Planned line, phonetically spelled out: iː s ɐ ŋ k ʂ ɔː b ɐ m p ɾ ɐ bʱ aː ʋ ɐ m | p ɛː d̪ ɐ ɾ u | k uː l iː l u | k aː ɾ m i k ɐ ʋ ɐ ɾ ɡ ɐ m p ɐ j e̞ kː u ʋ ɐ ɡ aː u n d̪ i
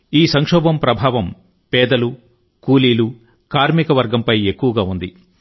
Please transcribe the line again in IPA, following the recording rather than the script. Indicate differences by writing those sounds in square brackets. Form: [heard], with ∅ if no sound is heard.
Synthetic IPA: iː s ɐ ŋ k ʂ ɔː b ɐ m p ɾ ɐ bʱ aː ʋ ɐ m | p ɛː d̪ ɐ [l] u | k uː l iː l u | k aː ɾ m i k ɐ ʋ ɐ ɾ ɡ ɐ m p ɐ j e̞ kː u ʋ ɐ ɡ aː u n d̪ i